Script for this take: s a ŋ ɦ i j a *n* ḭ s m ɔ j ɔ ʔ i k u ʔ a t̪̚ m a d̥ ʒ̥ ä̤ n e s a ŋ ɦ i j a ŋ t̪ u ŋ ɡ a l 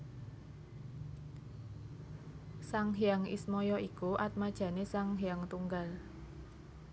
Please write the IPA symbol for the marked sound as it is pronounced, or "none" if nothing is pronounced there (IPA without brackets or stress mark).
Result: ŋ